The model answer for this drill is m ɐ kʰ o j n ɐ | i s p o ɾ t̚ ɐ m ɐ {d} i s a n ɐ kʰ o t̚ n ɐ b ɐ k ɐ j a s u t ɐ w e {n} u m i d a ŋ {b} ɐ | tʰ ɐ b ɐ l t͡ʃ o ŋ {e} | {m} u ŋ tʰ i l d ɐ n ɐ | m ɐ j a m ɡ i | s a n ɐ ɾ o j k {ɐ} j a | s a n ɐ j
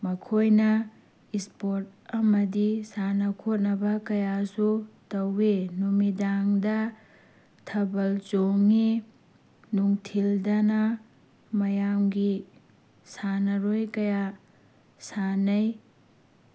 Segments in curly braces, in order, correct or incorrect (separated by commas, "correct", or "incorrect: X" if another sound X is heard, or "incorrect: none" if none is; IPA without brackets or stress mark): correct, correct, incorrect: d, incorrect: i, incorrect: n, correct